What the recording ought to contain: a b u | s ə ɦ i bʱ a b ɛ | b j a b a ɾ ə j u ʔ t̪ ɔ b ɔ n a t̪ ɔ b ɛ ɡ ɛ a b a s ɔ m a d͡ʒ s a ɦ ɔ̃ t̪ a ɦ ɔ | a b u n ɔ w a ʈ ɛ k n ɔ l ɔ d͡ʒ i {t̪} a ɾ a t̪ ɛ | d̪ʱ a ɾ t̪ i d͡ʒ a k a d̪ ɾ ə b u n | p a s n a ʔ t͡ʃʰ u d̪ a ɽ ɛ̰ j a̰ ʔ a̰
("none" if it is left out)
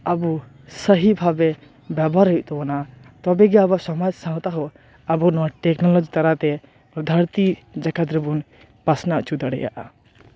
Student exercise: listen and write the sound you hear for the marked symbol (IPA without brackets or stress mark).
t̪